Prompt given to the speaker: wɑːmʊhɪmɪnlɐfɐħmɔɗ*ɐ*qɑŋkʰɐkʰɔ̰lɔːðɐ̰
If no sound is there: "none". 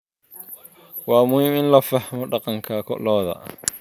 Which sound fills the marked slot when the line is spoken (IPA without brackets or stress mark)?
ɑ